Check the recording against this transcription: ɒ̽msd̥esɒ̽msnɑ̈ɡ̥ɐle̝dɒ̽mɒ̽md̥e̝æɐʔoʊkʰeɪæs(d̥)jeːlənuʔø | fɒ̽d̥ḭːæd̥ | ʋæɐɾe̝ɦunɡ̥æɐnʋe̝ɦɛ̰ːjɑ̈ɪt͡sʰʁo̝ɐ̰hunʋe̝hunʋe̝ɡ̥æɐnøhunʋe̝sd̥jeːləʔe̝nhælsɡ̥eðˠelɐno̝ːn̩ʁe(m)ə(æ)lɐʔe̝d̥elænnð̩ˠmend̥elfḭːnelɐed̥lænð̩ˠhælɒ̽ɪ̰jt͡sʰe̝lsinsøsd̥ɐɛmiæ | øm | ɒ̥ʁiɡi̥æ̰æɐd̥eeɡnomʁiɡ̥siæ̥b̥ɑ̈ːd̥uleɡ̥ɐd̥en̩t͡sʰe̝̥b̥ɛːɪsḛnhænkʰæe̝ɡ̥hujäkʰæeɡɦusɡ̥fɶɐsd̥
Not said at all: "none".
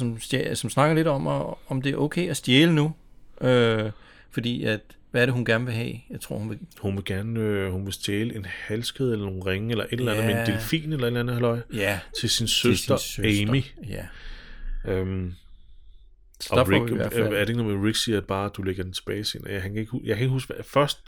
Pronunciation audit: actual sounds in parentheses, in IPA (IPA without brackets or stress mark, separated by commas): d̥, ŋ, e